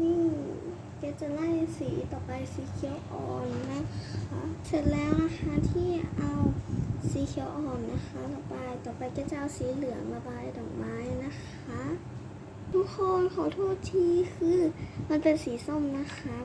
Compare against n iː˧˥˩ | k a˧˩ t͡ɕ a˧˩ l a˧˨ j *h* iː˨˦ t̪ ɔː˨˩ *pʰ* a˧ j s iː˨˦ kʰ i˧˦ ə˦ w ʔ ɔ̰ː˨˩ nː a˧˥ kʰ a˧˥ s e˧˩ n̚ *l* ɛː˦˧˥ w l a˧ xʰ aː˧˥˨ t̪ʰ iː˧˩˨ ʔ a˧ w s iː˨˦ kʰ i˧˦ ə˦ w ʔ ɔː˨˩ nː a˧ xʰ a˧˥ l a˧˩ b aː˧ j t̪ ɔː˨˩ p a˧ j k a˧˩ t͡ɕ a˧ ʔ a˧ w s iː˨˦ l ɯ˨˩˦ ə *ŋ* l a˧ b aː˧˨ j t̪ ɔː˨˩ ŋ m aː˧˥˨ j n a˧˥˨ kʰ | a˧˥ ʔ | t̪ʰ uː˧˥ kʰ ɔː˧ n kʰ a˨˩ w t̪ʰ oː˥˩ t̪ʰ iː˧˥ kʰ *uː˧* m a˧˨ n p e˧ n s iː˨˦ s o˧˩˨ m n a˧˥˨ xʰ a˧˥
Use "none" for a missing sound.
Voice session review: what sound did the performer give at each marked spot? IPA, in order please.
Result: s, p, l, ŋ, ɯː˧

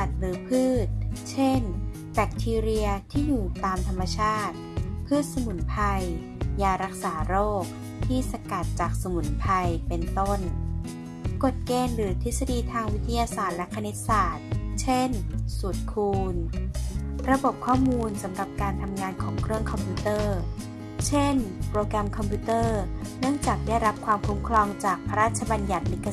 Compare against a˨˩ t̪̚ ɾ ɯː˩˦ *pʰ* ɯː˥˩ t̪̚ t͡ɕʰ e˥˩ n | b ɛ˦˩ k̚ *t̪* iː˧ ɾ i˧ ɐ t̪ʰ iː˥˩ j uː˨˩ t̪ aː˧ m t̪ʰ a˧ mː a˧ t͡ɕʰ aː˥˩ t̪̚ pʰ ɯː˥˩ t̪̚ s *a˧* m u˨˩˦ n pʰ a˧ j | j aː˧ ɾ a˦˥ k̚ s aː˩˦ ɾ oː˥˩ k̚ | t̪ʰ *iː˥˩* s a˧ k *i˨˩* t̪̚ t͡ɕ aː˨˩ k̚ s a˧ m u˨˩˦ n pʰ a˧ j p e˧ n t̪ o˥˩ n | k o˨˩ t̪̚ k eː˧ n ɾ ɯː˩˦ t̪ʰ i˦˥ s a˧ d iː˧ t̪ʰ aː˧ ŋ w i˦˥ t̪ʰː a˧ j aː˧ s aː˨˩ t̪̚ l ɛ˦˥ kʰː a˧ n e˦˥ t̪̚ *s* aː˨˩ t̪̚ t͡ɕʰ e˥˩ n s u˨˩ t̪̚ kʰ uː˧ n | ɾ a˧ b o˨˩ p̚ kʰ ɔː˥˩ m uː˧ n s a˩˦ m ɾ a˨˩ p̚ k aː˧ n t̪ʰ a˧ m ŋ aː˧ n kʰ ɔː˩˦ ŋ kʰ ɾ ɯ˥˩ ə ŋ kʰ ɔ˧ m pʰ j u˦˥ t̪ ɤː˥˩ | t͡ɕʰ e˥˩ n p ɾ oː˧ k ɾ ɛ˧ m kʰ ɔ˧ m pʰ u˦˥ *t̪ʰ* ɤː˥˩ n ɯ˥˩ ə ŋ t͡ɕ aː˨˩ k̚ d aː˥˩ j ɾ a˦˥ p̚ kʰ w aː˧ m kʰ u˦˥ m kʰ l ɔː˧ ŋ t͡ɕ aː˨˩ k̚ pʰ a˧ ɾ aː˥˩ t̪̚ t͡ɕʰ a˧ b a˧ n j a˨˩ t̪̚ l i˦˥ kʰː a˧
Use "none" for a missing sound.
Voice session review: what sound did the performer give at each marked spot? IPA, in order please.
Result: pʰ, t̪ʰ, a˧, iː˥˩, a˨˩, s, t̪

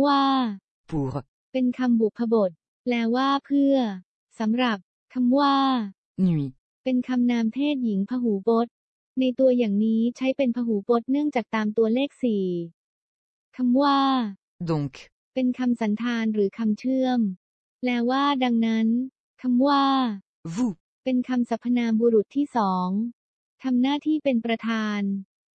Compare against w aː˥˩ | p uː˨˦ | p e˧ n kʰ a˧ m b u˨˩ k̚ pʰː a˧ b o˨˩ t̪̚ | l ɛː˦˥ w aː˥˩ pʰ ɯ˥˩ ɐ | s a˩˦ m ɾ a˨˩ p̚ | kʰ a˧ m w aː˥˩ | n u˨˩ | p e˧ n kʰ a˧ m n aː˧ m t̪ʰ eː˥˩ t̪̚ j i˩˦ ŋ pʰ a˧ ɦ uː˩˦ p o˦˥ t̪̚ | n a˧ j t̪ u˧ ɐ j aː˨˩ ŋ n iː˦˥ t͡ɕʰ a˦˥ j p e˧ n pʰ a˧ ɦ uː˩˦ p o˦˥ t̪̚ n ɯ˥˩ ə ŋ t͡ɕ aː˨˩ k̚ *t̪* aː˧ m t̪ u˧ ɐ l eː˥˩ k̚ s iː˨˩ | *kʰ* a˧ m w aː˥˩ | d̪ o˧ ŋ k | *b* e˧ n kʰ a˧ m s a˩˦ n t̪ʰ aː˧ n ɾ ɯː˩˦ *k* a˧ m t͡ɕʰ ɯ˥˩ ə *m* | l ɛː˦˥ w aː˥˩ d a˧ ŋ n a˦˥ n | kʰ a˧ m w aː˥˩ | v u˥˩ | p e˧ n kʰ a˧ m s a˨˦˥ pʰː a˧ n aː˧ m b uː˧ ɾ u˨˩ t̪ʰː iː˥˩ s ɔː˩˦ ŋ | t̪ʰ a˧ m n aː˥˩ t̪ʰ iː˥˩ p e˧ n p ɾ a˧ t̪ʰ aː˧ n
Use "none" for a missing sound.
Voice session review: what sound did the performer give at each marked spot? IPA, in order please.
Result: t̪, kʰ, p, kʰ, m

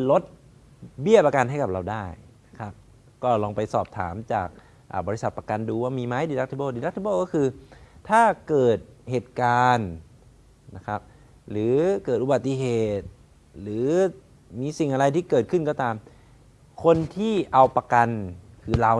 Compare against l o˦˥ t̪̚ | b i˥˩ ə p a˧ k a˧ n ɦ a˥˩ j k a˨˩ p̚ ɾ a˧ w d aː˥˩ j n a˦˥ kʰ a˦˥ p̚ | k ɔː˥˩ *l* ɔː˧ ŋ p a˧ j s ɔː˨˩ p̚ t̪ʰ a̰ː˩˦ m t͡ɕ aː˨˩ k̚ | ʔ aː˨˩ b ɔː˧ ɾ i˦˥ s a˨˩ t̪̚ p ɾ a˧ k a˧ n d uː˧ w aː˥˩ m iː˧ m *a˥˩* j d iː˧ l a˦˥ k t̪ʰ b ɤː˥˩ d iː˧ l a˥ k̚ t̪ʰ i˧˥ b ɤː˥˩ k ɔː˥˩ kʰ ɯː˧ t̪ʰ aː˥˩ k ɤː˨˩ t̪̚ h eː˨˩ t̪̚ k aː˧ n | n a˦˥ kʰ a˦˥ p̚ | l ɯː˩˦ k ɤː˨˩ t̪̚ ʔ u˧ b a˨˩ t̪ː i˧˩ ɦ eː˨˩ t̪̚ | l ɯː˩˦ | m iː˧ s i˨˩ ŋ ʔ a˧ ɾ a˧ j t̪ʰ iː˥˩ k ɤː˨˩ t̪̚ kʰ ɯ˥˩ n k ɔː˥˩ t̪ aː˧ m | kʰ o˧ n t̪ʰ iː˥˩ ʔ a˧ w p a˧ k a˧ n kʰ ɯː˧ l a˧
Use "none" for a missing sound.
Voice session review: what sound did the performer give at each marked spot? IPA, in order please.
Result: l, a˦˥

